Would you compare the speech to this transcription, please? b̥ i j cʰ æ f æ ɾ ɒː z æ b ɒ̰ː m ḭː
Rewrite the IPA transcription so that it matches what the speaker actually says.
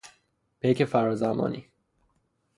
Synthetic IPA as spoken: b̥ e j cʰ e f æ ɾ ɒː z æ m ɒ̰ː n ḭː